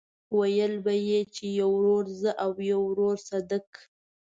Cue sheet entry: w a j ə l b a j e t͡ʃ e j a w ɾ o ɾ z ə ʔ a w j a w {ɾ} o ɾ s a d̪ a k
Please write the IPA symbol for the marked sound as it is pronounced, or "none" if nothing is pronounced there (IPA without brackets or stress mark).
ɾ